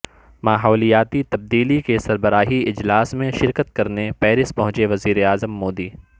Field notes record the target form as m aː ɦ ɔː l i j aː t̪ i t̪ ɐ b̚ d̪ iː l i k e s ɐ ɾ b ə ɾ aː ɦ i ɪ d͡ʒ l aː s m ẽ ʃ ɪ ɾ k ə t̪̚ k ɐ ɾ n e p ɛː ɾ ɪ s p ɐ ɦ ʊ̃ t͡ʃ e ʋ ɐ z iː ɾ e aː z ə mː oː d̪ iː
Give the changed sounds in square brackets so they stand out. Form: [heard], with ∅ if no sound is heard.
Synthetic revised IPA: m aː ɦ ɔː l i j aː t̪ i t̪ ɐ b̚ d̪ iː l i k e s ɐ ɾ b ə ɾ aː ɦ i ɪ d͡ʒ l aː s m ẽ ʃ ɪ ɾ k ə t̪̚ k ɐ ɾ n e p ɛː ɾ ɪ s p ɐ ɦ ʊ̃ t͡ʃ e ʋ ɐ z iː ɾ e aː z ə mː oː d̪ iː